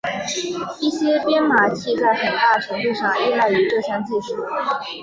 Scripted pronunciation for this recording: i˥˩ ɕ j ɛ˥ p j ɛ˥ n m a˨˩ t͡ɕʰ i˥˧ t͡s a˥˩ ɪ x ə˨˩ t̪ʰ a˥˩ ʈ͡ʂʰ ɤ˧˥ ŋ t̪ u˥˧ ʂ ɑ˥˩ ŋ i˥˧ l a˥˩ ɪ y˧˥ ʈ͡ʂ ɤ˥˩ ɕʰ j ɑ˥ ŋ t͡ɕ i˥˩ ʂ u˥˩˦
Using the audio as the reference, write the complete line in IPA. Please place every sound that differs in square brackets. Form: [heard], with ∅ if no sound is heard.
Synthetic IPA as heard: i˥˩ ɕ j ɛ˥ p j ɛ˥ n m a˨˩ t͡ɕʰ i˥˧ t͡s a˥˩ ɪ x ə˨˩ [t̪] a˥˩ ʈ͡ʂʰ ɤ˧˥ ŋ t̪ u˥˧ ʂ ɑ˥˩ ŋ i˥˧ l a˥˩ ɪ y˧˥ ʈ͡ʂ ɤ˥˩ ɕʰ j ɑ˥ ŋ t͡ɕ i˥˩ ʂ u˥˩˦